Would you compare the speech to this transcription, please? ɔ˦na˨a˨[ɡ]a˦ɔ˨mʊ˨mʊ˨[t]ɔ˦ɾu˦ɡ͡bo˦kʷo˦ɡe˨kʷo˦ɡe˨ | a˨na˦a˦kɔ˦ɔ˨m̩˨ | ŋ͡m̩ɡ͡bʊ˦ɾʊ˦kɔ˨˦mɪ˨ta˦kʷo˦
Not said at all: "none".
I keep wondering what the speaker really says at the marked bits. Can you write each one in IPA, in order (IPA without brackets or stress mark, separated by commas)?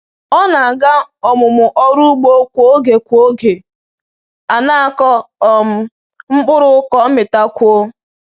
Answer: ɡ, ʔ